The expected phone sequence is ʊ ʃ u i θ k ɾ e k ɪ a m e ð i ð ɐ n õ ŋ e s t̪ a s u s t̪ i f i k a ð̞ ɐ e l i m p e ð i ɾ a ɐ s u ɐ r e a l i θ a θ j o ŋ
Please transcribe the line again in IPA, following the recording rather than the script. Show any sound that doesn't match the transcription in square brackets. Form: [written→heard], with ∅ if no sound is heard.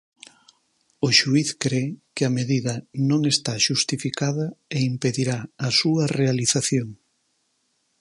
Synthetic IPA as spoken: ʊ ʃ u i θ k ɾ e k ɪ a m e ð i ð ɐ n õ ŋ e s t̪ a [s→ʃ] u s t̪ i f i k a ð̞ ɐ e [l→∅] i m p e ð i ɾ a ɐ s u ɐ r e a l i θ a θ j o ŋ